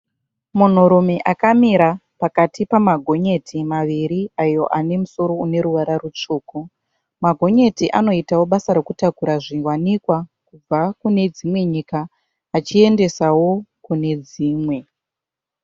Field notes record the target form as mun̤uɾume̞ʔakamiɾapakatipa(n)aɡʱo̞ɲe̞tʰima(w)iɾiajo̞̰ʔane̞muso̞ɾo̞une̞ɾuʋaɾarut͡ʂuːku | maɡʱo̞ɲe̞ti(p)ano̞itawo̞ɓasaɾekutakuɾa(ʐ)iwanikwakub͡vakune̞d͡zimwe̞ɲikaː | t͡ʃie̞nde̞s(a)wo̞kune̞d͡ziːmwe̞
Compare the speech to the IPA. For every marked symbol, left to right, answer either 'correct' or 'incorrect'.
incorrect: m, incorrect: ʋ, incorrect: ʔ, correct, correct

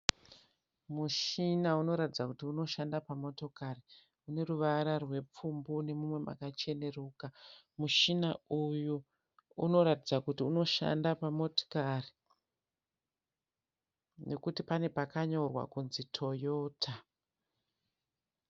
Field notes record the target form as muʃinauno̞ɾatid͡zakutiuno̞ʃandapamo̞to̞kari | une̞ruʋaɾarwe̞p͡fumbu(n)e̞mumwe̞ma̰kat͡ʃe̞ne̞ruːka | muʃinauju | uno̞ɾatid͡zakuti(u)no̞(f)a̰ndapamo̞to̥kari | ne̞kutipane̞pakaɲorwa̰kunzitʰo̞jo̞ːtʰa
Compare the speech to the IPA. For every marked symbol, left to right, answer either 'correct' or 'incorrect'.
correct, correct, incorrect: ʃ

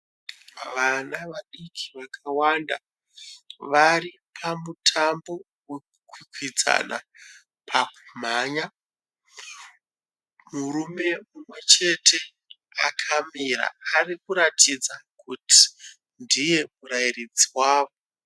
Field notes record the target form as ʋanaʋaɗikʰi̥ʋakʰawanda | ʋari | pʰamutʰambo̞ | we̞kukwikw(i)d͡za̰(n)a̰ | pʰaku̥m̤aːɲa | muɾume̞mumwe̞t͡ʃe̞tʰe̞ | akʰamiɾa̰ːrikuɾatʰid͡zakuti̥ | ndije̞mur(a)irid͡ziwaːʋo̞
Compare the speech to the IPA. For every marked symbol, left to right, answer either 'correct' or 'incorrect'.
correct, correct, correct

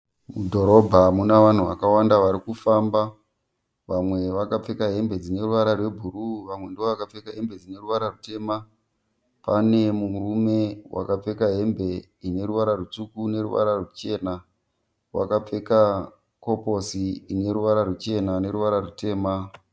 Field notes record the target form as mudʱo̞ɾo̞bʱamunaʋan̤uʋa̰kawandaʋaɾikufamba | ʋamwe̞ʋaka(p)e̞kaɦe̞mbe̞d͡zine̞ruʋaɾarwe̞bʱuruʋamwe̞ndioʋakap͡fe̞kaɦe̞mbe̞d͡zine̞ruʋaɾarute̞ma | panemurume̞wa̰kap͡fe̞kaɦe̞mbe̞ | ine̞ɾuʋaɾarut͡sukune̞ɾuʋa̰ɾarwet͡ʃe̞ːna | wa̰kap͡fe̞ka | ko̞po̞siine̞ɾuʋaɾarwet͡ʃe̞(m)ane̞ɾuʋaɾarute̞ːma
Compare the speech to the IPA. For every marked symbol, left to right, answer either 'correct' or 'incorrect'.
incorrect: p͡f, incorrect: n

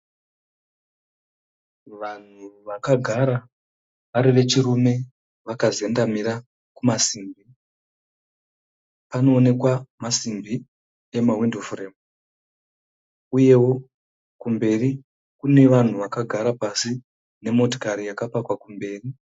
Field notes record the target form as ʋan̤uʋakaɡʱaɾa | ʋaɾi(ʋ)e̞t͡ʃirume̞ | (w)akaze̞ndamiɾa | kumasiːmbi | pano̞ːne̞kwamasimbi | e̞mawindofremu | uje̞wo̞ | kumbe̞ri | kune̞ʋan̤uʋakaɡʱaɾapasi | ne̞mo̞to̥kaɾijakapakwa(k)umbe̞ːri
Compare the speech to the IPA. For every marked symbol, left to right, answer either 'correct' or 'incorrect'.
correct, incorrect: ʋ, correct

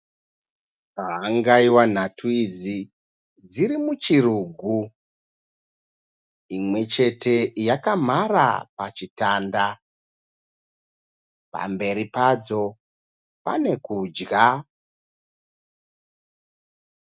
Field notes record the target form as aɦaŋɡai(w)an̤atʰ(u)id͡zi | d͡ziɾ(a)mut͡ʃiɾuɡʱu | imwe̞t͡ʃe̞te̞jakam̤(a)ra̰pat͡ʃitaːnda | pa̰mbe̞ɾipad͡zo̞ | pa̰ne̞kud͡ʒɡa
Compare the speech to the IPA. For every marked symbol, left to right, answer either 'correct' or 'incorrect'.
correct, correct, incorrect: i, correct

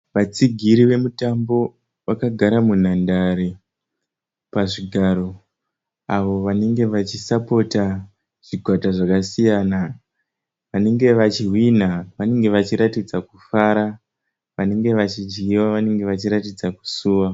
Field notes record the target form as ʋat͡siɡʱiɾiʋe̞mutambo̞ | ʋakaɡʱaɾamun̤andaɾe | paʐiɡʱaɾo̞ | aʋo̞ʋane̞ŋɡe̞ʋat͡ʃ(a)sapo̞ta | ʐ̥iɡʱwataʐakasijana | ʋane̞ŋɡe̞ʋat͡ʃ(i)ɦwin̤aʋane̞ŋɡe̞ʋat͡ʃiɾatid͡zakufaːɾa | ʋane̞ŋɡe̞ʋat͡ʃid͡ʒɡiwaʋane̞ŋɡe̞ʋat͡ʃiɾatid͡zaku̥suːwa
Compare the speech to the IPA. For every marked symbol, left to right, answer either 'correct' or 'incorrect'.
incorrect: i, correct

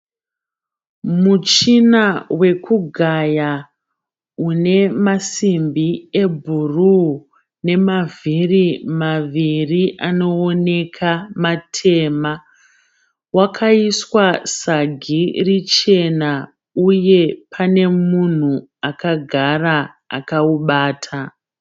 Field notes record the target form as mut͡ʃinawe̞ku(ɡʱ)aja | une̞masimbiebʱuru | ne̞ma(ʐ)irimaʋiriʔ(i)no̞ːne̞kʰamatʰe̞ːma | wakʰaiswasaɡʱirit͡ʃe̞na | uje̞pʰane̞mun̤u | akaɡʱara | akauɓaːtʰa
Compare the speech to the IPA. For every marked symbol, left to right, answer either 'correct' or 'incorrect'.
correct, incorrect: v, incorrect: a

